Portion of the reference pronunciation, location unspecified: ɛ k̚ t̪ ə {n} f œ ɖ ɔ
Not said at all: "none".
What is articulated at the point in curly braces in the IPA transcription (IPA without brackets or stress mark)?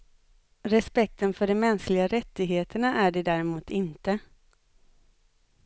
n